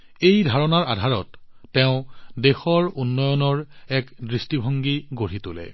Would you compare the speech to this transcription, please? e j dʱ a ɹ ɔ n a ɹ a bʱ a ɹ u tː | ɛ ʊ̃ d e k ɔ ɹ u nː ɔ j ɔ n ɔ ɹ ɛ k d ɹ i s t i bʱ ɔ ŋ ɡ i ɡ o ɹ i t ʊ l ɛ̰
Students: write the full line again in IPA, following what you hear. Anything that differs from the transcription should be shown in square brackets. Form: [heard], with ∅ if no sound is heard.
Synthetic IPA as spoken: e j dʱ a ɹ ɔ n a ɹ a [dʱ] a ɹ [ɔ] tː | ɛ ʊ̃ d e [x] ɔ ɹ u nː ɔ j ɔ n ɔ ɹ ɛ k d ɹ i s t i bʱ ɔ ŋ ɡ i ɡ o ɹ i t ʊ l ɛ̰